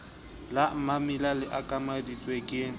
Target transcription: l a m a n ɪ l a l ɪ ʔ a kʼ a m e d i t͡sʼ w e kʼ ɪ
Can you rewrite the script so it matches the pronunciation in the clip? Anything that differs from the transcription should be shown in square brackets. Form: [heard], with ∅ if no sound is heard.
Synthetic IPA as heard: l a m a [m] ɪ l a l ɪ ʔ a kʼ a m [a] d i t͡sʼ w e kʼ ɪ